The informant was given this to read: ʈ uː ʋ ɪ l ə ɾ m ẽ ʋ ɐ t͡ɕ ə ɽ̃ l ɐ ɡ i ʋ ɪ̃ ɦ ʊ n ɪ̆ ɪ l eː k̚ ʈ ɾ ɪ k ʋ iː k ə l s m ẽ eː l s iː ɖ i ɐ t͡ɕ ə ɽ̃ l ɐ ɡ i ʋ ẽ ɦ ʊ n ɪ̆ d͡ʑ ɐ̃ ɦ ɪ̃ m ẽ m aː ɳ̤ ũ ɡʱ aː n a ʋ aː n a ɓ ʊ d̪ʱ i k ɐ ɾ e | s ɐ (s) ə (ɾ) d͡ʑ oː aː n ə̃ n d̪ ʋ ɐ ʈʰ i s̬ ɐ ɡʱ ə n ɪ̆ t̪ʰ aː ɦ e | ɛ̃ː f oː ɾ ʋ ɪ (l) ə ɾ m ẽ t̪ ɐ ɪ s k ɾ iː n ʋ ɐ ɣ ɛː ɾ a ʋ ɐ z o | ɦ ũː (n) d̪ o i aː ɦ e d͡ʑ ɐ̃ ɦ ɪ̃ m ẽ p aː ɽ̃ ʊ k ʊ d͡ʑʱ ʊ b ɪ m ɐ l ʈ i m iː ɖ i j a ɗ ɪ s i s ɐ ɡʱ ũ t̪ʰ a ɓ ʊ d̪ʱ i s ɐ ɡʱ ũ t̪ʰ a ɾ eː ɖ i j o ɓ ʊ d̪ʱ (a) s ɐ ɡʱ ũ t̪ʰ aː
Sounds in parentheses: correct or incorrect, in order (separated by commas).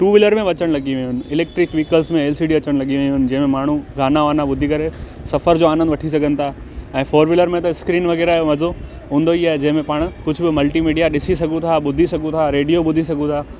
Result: incorrect, correct, correct, correct, incorrect